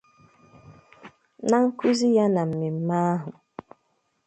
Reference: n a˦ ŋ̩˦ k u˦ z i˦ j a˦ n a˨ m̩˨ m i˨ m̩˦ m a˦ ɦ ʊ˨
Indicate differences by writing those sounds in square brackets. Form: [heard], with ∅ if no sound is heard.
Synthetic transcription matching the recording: n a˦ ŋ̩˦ k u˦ z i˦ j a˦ n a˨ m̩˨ m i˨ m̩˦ m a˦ ɦ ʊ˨